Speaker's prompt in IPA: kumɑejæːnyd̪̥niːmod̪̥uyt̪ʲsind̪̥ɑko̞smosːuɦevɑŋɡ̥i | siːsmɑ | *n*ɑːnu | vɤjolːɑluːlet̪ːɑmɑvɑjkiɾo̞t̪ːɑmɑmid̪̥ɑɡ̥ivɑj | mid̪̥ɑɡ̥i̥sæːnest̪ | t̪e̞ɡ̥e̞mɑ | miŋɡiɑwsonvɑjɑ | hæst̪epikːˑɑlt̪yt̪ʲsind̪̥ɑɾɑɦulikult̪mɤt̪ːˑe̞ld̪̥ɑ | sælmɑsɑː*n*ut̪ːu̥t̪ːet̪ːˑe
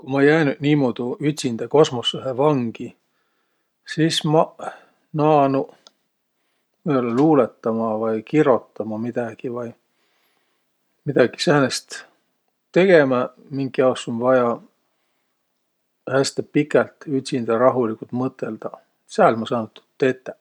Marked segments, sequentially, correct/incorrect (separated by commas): correct, correct